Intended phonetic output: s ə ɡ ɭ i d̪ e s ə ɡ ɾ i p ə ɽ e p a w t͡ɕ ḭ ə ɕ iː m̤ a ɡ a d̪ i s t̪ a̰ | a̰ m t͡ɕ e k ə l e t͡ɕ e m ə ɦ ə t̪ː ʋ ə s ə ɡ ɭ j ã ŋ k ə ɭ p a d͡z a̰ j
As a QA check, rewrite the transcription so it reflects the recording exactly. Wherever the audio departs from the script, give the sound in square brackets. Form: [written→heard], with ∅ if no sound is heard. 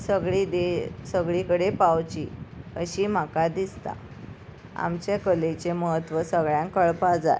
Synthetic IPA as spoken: s ə ɡ ɭ i d̪ e s ə ɡ [ɾ→ɭ] i [p→k] ə ɽ e p a w t͡ɕ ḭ ə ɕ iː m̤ a [ɡ→k] a d̪ i s t̪ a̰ | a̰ m t͡ɕ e k ə l e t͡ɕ e m ə ɦ ə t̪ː ʋ ə s ə ɡ ɭ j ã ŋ k ə ɭ p a d͡z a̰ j